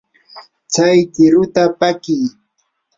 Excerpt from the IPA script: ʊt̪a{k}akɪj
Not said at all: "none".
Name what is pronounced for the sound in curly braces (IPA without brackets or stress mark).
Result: p